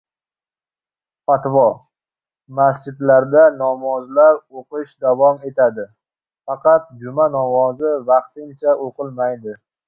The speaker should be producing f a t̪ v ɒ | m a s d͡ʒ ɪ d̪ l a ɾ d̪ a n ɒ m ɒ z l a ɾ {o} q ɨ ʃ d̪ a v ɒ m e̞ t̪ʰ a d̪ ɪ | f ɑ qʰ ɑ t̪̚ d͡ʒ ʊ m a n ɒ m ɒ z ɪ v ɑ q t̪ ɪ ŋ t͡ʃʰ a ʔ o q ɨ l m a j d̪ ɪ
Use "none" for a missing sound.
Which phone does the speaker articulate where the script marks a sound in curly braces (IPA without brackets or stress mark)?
o